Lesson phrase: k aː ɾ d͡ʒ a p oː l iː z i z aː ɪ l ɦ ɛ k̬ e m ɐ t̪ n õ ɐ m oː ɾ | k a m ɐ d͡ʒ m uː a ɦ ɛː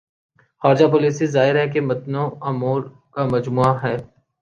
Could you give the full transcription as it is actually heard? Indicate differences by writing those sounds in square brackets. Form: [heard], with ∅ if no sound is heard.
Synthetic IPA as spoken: [x] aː ɾ d͡ʒ a p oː l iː [s] i z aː ɪ [ɾ] ɦ ɛ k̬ e m ɐ t̪ n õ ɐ m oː ɾ | k a m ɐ d͡ʒ m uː a ɦ ɛː